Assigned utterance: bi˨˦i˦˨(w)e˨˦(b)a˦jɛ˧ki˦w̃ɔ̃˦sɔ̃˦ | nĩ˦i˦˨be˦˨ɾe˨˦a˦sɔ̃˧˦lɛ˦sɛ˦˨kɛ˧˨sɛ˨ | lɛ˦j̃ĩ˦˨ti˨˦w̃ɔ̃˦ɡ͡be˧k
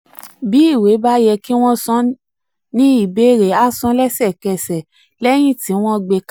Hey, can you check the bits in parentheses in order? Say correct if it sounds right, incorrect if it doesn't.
correct, correct

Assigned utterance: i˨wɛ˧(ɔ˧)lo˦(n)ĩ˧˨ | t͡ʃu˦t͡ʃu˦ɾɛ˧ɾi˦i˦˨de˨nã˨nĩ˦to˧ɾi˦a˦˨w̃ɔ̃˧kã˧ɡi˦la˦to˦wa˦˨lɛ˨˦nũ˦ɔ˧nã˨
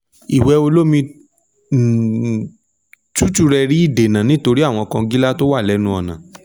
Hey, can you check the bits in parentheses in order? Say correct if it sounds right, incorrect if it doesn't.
incorrect: o˧, incorrect: m

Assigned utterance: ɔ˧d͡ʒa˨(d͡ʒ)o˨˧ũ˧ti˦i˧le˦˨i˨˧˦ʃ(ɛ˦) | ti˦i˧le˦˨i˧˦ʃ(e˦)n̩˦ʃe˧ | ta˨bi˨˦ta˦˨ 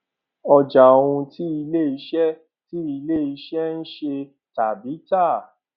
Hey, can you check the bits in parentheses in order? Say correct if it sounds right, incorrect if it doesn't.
incorrect: none, correct, incorrect: ɛ˦

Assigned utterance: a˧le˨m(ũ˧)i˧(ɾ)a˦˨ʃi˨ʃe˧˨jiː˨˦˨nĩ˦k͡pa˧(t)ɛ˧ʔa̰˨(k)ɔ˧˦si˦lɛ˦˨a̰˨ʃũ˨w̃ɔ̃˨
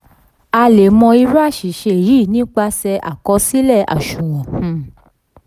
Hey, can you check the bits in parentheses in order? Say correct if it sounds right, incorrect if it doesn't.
incorrect: ɔ̃˧, correct, incorrect: s, correct

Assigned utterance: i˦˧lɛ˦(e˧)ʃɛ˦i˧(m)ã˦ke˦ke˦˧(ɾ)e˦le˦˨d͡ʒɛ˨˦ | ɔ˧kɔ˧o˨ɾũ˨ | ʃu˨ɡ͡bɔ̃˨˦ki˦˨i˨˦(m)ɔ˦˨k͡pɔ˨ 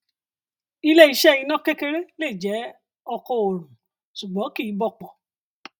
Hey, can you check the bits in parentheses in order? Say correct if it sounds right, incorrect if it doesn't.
incorrect: i˧, incorrect: n, correct, incorrect: b

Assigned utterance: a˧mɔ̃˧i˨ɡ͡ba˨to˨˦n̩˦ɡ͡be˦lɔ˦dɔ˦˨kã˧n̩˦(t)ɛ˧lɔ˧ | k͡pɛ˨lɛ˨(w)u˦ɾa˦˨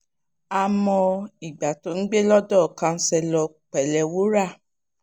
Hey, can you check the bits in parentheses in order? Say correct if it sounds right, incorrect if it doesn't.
incorrect: s, correct

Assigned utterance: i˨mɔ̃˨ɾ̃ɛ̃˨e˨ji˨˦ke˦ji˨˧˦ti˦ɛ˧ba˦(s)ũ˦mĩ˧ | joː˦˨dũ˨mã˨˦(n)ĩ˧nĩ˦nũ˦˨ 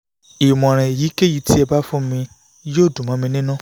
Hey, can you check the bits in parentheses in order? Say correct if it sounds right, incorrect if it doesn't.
incorrect: f, incorrect: m

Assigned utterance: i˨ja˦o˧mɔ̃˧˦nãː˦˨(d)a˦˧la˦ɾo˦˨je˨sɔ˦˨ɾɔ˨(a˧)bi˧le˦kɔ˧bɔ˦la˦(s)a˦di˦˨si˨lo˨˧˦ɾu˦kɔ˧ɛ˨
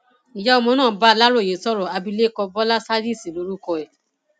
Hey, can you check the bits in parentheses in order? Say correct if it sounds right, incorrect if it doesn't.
incorrect: b, correct, correct

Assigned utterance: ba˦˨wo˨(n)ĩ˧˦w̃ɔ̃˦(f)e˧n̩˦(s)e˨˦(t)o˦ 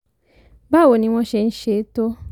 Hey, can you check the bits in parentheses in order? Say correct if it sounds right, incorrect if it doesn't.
correct, incorrect: ʃ, incorrect: ʃ, correct

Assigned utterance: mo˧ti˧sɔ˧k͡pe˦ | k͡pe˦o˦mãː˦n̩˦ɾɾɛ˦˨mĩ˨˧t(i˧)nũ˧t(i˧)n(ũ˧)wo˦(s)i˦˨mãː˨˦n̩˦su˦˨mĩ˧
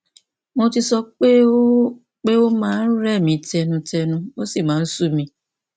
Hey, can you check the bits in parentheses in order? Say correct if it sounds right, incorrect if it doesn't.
incorrect: ɛ˧, incorrect: ɛ˧, correct, correct

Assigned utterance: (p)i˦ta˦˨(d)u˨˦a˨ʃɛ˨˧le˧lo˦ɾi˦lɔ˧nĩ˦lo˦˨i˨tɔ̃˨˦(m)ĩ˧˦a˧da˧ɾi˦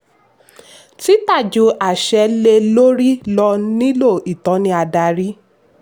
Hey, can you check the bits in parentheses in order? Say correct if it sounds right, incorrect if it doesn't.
incorrect: t, incorrect: d͡ʒ, incorrect: n

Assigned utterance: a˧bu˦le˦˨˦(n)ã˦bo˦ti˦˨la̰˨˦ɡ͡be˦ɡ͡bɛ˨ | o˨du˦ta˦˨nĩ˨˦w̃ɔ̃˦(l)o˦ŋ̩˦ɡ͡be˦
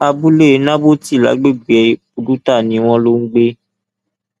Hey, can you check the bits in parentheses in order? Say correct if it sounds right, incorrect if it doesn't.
correct, correct

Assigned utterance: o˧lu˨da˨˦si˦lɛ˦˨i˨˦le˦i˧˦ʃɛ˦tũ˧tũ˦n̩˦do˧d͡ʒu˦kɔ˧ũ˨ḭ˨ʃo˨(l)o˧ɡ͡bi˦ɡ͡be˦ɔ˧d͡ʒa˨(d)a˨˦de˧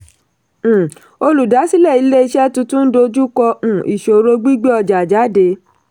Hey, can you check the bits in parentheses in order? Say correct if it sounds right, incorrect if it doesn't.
incorrect: ɾ, incorrect: d͡ʒ

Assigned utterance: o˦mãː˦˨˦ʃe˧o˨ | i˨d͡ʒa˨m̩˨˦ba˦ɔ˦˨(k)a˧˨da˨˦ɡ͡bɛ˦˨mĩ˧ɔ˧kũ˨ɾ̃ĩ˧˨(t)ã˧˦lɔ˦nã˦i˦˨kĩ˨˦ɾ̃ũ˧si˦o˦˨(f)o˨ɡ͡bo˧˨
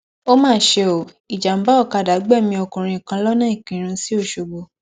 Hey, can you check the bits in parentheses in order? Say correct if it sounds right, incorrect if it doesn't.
correct, incorrect: k, incorrect: ʃ

